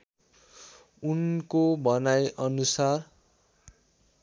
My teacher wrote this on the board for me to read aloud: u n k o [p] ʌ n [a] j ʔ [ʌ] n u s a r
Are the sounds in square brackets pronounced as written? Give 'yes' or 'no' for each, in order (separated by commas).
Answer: no, yes, yes